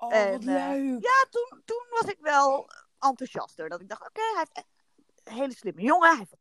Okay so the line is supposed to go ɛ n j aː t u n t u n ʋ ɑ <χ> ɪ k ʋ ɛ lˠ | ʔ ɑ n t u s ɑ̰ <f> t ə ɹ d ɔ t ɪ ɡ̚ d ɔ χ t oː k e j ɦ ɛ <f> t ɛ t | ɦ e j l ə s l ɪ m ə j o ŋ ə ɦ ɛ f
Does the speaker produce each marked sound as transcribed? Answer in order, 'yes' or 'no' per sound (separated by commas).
no, no, yes